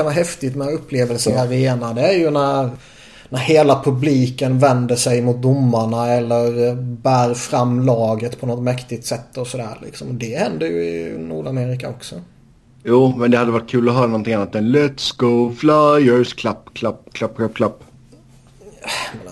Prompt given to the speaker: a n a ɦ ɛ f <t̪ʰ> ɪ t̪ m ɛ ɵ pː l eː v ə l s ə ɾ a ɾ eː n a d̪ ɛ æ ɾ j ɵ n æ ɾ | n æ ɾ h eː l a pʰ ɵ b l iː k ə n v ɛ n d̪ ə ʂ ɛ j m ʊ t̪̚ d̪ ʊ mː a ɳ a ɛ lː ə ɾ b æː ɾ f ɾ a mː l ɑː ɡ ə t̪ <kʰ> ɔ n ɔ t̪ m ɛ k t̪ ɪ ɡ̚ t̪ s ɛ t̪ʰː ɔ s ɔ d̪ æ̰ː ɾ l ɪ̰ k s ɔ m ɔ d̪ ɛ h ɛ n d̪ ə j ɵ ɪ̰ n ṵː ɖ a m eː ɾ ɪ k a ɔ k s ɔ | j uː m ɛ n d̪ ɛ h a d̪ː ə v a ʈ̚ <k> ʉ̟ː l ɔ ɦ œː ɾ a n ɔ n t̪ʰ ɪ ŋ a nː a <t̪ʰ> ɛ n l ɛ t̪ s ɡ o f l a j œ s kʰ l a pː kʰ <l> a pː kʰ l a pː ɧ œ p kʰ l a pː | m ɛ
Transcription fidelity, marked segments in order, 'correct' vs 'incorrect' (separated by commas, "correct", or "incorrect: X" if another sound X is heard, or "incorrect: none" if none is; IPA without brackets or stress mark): incorrect: t̪, incorrect: pʰ, incorrect: kʰ, incorrect: t̪, correct